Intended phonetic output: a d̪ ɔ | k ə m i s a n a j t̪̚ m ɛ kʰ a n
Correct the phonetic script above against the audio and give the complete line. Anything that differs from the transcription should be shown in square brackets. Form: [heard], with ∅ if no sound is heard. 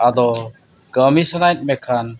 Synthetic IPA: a d̪ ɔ | [ɡ] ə m i s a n a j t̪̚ m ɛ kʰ a n